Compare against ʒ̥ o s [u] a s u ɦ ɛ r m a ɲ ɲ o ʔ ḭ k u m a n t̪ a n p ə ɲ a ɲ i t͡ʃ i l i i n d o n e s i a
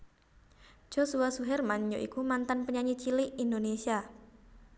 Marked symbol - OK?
yes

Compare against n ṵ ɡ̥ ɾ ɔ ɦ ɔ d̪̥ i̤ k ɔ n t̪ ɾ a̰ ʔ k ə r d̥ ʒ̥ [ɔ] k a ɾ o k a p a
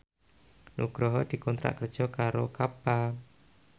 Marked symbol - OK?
yes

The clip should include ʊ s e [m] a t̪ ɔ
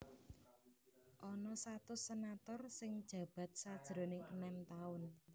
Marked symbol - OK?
no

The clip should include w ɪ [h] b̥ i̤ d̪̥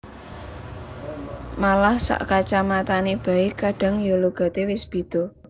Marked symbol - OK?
no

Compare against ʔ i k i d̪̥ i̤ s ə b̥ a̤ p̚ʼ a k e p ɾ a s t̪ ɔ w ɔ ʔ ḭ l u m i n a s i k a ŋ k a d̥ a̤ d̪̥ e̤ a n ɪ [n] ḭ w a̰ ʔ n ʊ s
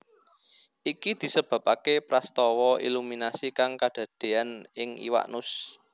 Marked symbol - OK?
no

